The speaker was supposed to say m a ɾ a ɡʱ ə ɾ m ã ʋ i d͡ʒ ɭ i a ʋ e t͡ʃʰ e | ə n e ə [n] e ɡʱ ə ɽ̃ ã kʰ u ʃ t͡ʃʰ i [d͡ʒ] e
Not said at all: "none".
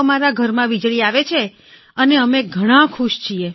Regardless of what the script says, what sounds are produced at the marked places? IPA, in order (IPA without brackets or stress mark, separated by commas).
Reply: m, none